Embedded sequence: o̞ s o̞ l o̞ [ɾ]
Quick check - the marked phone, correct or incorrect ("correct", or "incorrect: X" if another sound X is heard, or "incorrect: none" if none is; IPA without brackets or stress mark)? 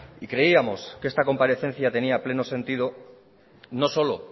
incorrect: none